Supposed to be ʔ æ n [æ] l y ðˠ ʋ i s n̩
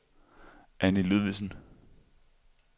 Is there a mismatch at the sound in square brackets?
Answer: yes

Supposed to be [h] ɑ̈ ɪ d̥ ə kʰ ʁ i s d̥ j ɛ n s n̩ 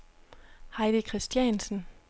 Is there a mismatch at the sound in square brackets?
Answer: no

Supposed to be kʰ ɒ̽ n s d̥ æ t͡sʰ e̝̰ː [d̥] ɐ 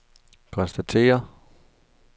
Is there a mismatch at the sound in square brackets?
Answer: yes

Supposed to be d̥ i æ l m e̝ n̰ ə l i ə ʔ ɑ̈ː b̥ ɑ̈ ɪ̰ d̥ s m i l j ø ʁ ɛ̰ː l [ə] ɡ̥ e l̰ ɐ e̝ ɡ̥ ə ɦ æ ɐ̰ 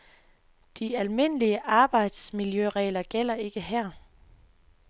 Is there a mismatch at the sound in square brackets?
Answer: yes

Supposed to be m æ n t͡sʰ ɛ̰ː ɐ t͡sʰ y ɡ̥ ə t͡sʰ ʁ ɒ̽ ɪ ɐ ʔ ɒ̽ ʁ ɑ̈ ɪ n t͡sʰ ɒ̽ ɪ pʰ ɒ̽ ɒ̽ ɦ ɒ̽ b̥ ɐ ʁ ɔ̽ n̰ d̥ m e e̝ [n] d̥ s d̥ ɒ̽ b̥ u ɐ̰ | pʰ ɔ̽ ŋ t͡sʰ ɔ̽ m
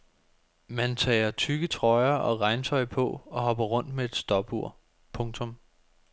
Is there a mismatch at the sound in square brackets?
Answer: yes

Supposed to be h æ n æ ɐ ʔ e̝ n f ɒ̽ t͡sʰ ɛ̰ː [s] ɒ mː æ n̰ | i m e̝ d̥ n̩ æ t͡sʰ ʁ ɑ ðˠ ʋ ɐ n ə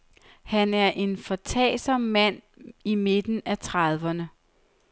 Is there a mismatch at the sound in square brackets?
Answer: no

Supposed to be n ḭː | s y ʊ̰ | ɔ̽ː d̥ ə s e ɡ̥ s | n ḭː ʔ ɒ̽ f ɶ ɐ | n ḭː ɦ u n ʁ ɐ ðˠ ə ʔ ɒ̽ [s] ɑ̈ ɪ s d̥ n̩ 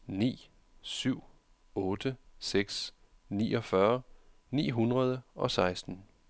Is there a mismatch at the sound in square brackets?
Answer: no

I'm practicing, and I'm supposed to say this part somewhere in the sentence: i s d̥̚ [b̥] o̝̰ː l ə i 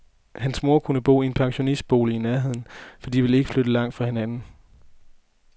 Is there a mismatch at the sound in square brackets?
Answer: no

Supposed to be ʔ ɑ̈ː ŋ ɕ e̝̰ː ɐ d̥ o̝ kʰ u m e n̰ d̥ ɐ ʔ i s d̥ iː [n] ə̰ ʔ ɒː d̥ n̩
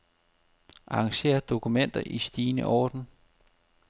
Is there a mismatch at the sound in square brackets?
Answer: no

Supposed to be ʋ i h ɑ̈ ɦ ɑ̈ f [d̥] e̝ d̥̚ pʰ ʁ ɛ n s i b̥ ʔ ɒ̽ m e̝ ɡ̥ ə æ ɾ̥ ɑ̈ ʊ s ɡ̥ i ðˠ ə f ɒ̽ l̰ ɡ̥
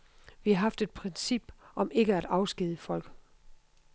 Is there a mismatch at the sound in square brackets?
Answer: no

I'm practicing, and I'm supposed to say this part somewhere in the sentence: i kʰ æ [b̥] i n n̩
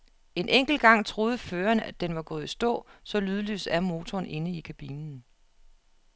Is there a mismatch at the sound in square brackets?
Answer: no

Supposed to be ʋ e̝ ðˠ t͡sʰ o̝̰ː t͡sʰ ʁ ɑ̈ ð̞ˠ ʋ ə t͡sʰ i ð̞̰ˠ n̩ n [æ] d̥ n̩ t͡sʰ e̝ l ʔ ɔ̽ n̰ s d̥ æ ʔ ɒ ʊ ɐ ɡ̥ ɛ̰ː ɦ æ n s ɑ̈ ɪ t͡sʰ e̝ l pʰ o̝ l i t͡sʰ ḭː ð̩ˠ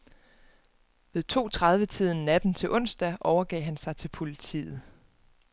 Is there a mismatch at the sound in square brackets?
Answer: no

